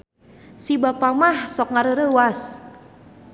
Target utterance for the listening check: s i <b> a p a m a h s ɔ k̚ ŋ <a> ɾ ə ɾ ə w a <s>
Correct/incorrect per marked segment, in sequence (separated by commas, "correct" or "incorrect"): correct, correct, correct